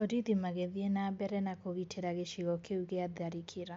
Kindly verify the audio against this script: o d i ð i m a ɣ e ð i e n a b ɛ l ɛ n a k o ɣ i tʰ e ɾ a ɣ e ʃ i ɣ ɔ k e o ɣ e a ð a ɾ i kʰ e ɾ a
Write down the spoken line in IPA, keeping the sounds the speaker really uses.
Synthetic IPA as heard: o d i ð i m a ɣ e ð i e n a b ɛ ɾ ɛ n a k o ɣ i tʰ e ɾ a ɣ e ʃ i ɣ ɔ k e u ɣ e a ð a ɾ i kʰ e ɾ a